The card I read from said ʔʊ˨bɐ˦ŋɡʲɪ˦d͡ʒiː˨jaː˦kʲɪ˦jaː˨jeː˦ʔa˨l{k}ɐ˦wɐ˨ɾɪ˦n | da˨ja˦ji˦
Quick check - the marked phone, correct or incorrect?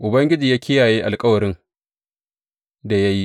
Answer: incorrect